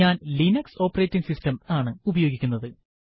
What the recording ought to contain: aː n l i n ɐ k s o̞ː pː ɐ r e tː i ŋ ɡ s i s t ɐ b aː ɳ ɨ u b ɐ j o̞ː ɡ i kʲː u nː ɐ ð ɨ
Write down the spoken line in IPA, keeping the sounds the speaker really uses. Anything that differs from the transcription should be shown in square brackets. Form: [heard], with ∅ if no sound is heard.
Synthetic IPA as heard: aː n l i n ɐ k s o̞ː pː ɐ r e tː i ŋ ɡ s i s t ɐ [m] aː ɳ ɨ u b ɐ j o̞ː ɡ i kʲː u nː ɐ ð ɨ